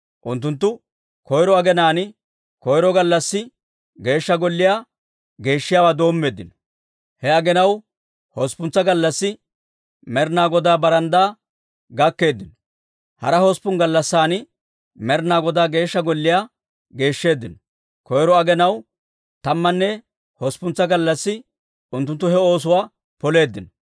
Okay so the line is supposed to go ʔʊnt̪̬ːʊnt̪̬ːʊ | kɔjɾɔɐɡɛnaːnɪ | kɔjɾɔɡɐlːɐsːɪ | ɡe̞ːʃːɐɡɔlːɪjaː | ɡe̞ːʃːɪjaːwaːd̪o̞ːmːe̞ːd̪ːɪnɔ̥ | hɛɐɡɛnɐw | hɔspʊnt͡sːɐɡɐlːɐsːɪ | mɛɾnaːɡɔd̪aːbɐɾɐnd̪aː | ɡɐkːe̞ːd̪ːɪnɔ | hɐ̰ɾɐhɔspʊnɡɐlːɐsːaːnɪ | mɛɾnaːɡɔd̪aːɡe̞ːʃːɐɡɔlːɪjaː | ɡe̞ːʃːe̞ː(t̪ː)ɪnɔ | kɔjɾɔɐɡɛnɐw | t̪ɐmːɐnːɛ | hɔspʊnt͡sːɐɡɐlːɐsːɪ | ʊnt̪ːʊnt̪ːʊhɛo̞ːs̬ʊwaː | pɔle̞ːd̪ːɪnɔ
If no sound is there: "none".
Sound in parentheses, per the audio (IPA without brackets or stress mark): d̪ː